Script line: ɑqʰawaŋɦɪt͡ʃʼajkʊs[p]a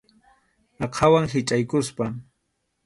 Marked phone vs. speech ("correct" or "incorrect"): correct